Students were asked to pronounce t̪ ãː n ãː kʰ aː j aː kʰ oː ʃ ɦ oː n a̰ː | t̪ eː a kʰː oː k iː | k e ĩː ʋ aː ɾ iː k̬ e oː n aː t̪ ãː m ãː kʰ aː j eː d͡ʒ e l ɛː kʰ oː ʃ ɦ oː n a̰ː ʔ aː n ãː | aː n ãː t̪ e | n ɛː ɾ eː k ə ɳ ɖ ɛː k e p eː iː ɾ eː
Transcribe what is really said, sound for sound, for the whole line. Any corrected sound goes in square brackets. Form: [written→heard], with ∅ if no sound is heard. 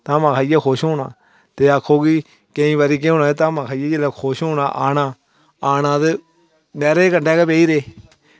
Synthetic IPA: t̪ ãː [n→m] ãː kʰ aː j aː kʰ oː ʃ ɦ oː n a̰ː | t̪ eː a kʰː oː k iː | k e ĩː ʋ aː ɾ iː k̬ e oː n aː t̪ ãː m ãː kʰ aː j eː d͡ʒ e l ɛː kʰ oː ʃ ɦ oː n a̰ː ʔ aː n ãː | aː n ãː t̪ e | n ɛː ɾ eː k ə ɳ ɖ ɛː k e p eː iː ɾ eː